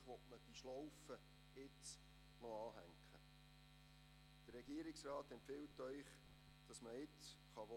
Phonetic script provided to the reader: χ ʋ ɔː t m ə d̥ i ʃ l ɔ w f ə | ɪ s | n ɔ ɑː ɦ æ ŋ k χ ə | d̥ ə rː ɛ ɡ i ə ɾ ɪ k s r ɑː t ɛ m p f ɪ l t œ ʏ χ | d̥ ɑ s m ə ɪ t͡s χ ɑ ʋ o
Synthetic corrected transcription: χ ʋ ɔ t m ə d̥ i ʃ l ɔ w f ə | ɪ t͡s | n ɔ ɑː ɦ æ ŋ k χ ə | d̥ ə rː ɛ ɡ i ə ɾ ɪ k s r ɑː t ɛ m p f ɪ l t œ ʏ χ | d̥ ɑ s m ə ɪ t͡s χ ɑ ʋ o